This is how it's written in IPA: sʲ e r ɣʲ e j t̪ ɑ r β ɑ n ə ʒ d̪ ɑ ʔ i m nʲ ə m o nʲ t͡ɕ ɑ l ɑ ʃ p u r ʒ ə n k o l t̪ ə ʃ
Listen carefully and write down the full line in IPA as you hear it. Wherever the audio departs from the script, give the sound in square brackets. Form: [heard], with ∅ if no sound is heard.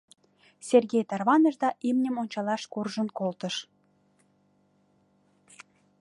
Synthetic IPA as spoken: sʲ e r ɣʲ e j t̪ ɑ r β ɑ n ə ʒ d̪ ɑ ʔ i m nʲ ə m o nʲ t͡ɕ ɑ l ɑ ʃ [k] u r ʒ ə n k o l t̪ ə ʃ